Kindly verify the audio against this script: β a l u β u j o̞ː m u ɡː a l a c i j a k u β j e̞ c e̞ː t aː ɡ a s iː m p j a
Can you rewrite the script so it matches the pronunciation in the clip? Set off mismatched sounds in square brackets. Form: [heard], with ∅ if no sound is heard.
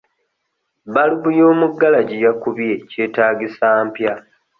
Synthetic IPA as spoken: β a l u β u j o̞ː m u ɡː a l a [ɟ] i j a k u β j e̞ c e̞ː t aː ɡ [i] s [aː] m p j a

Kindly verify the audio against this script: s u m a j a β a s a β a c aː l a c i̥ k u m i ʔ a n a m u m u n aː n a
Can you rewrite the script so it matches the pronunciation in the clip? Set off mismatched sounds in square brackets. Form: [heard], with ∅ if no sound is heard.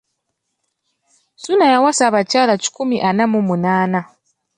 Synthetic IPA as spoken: s u [n] a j a [w] a s a β a c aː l a c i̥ k u m i ʔ a n a m u m u n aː n a

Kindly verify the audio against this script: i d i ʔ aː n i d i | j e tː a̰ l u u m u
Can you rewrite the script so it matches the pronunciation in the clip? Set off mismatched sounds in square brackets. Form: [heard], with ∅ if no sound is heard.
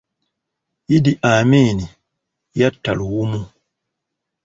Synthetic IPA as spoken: i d i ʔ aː [m] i [n] i | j [a] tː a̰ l [w] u m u

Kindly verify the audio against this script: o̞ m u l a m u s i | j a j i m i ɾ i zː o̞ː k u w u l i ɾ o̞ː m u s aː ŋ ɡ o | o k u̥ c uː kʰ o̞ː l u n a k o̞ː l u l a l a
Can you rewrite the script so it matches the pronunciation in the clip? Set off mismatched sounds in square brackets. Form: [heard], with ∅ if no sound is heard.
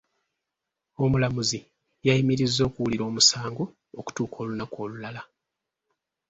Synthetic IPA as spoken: o̞ m u l a m u [z] i | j a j i m i ɾ i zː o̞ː k u w u l i ɾ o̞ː m u s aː ŋ ɡ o | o k u̥ [t] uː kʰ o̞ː l u n a k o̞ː l u l a l a

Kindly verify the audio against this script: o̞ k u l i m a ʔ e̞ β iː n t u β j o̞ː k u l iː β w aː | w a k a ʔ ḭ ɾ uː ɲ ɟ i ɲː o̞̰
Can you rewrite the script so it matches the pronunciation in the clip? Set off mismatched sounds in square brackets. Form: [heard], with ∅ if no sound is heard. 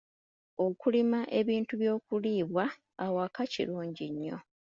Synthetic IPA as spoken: o̞ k u l i m a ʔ e̞ β iː n t u β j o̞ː k u l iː β w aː | w a k a [c] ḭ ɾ uː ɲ ɟ i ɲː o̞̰

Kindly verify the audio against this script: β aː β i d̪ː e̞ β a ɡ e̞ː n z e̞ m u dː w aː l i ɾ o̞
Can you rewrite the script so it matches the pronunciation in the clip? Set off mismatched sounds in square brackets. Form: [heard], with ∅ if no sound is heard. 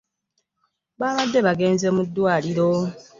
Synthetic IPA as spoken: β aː β [a] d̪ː e̞ β a ɡ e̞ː n z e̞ m u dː w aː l i ɾ o̞

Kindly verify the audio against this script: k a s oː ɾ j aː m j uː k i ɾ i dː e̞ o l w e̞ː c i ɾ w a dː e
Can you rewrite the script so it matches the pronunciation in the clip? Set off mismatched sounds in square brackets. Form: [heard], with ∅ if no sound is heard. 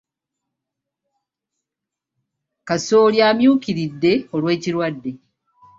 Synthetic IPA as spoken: k a s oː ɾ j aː m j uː k i ɾ i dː e̞ o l w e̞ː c i ɾ w a dː e

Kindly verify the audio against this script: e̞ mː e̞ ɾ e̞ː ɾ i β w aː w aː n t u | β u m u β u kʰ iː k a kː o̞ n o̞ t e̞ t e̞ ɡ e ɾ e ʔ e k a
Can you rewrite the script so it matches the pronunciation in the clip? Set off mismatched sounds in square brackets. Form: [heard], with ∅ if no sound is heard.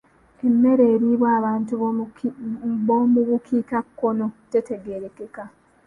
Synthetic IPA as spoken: e̞ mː e̞ ɾ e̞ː ɾ i β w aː [β] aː n t u | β [o] m u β u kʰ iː k a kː o̞ n o̞ t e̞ t e̞ ɡ e ɾ e [k] e k a

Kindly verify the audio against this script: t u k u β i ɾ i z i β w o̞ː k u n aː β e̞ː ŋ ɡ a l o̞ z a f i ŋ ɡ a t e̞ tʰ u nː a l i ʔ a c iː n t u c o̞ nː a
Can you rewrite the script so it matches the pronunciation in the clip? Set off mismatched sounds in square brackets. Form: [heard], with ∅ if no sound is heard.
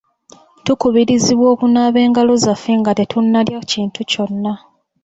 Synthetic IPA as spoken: t u k u β i ɾ i z i β w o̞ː k u n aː β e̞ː ŋ ɡ a l o̞ z a f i ŋ ɡ a t e̞ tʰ u nː a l [j] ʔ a c iː n t u c o̞ nː a

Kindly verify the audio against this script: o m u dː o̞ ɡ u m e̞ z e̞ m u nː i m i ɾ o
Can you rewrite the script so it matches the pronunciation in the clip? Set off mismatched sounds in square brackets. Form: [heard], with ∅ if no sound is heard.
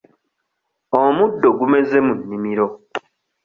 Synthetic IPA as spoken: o m u dː o̞ ɡ u m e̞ z e̞ m u nː i m i ɾ o

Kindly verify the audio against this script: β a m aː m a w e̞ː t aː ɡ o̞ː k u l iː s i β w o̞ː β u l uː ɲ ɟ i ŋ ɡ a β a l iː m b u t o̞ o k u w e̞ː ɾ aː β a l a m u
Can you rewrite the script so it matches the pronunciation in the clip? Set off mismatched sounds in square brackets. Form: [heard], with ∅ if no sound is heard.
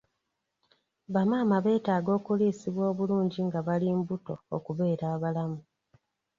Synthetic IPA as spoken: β a m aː m a [β] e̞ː t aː ɡ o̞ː k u l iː s i β w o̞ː β u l uː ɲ ɟ i ŋ ɡ a β a l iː m b u t o̞ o k u [β] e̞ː ɾ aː β a l a m u

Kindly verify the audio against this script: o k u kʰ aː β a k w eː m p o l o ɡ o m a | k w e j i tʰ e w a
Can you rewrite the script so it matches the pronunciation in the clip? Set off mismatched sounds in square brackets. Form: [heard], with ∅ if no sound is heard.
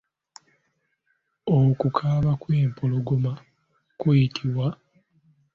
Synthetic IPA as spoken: o k u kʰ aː β a k w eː m p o l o ɡ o m a | k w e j i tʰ [i] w a

